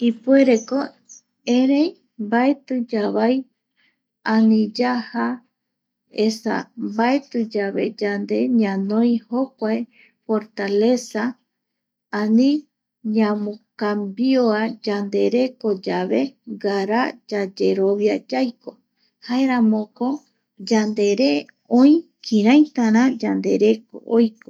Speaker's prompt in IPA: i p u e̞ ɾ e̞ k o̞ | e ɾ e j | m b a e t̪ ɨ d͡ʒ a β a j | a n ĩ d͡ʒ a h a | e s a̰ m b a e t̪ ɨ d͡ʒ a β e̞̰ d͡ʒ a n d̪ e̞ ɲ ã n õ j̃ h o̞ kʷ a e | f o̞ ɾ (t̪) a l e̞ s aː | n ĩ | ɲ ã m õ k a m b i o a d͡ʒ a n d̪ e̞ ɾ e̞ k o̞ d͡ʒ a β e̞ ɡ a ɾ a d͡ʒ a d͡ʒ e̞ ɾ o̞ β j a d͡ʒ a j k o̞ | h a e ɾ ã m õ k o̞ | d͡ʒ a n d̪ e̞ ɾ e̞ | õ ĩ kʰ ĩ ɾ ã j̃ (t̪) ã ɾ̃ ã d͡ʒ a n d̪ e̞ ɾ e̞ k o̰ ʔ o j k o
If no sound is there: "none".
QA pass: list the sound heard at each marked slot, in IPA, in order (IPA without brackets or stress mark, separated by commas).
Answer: t̪, t̪